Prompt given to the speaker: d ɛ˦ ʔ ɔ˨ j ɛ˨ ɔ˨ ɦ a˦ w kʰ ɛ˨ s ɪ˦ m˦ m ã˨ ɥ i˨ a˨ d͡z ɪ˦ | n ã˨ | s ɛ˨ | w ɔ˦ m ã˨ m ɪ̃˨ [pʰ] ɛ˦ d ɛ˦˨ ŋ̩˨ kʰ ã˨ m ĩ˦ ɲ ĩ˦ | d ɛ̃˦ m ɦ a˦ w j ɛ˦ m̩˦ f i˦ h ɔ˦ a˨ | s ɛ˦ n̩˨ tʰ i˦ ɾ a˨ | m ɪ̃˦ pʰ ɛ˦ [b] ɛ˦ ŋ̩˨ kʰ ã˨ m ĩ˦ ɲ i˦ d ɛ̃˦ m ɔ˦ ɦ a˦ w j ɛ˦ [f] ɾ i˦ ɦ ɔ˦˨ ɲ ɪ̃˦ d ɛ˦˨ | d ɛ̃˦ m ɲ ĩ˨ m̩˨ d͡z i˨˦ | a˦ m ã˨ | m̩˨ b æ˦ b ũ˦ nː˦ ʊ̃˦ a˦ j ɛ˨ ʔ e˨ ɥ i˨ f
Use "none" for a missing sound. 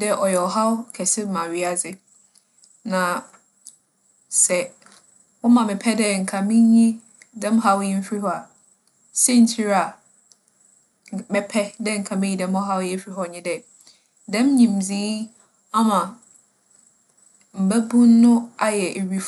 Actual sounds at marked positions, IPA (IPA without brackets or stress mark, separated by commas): pʰ, d, f